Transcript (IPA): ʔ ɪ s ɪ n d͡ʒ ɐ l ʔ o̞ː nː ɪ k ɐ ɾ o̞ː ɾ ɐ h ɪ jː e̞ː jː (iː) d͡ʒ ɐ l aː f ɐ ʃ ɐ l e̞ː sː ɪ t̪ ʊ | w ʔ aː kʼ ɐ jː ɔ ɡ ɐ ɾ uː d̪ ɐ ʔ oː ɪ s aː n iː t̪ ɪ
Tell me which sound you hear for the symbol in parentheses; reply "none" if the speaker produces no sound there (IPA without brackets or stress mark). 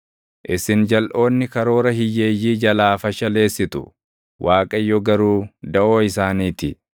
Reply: iː